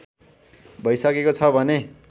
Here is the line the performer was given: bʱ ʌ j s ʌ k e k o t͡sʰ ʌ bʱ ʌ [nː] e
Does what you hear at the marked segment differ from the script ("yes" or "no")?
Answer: yes